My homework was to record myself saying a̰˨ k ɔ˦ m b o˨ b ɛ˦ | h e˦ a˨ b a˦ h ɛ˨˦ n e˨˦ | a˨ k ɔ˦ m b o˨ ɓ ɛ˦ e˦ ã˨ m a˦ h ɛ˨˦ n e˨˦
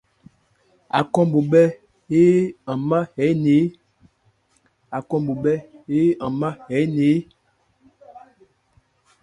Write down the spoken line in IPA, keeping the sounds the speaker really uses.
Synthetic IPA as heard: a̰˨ k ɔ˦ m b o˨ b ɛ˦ | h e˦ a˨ m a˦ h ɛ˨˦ n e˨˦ | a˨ k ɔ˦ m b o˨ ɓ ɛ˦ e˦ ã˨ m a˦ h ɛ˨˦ n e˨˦